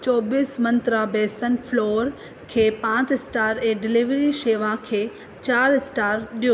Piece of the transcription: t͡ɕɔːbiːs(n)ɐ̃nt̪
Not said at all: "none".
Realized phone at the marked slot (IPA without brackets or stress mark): m